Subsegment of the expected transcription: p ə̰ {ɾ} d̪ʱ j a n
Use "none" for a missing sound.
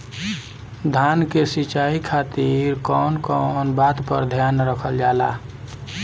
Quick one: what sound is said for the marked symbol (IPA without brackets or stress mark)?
ɾ